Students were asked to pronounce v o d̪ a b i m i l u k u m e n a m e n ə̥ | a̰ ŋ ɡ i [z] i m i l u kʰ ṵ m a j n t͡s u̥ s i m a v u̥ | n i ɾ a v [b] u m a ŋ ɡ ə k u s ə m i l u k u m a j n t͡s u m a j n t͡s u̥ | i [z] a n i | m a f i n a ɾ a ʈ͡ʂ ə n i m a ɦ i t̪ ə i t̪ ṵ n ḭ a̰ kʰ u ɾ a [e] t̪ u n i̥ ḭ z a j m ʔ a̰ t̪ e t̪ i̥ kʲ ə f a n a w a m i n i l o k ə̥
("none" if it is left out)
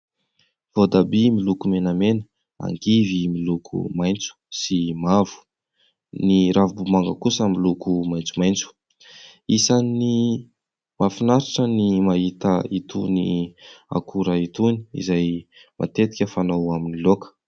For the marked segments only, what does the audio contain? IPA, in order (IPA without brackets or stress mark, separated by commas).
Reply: v, b, s, i